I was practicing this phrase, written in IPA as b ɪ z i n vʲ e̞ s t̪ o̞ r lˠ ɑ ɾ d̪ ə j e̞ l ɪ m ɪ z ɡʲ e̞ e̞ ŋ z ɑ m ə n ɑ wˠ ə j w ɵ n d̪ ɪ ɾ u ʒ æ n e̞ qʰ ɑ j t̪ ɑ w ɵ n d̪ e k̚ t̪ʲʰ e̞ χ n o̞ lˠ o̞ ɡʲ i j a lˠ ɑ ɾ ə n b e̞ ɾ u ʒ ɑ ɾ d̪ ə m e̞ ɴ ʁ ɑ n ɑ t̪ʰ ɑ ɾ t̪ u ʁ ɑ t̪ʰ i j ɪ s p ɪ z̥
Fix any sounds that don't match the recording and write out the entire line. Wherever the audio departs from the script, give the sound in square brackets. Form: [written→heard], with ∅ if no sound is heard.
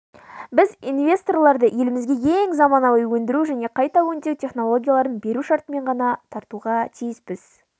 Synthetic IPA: b ɪ z i n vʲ e̞ s t̪ o̞ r lˠ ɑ ɾ d̪ ə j e̞ l ɪ m ɪ z ɡʲ e̞ e̞ ŋ z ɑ m [ə→ɑ] n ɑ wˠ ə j w ɵ n d̪ ɪ ɾ u ʒ æ n e̞ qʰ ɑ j t̪ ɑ w ɵ n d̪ e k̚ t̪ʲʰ e̞ χ n o̞ lˠ o̞ ɡʲ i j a lˠ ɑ ɾ ə n b e̞ ɾ u [ʒ→ʃ] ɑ ɾ [d̪→t̪] ə m e̞ ɴ ʁ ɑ n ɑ t̪ʰ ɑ ɾ t̪ u ʁ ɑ t̪ʰ i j ɪ s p ɪ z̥